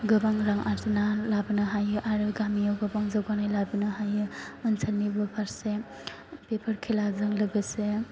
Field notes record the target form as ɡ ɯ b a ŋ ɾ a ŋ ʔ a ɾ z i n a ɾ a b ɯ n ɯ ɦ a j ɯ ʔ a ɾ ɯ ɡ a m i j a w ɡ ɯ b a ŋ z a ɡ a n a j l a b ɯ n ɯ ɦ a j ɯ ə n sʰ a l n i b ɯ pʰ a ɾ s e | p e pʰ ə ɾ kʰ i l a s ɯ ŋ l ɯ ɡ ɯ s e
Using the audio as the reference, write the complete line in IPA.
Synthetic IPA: ɡ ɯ b a ŋ ɾ a ŋ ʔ a ɾ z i n a l a b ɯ n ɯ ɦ a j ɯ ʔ a ɾ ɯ ɡ a m i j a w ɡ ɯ b a ŋ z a ɡ a n a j l a b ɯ n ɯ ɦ a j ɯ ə n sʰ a l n i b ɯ pʰ a ɾ s e | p e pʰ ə ɾ kʰ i l a z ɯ ŋ l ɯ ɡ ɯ s e